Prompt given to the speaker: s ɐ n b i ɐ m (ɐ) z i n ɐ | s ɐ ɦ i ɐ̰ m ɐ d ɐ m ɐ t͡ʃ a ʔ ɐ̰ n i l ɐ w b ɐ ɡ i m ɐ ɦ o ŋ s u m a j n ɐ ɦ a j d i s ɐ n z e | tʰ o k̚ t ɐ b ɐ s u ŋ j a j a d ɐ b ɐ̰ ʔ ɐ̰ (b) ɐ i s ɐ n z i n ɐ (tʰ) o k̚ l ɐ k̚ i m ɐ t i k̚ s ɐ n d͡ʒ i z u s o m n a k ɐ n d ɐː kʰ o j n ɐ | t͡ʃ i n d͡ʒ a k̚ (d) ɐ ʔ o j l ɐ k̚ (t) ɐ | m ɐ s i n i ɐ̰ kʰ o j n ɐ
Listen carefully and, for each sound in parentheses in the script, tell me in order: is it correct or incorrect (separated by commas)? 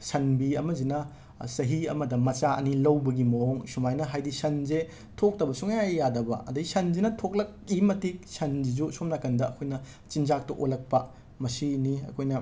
correct, incorrect, correct, incorrect, incorrect